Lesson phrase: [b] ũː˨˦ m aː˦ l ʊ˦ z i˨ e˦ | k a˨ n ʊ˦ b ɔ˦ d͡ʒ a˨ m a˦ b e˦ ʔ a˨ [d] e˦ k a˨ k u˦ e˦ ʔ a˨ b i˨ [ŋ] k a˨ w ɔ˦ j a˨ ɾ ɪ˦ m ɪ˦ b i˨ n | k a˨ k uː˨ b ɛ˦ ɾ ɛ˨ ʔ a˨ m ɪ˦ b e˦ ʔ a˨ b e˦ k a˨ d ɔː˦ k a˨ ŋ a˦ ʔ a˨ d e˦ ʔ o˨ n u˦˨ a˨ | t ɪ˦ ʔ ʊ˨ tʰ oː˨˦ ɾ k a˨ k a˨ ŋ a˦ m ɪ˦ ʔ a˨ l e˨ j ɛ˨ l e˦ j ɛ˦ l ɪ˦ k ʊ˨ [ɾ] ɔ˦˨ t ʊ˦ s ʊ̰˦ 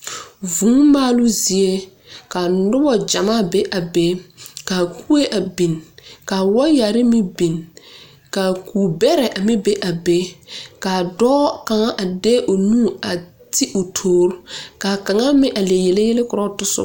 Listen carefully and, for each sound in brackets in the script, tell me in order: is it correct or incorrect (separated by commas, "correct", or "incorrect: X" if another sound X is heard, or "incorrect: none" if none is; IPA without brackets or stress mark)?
incorrect: v, incorrect: b, incorrect: n, correct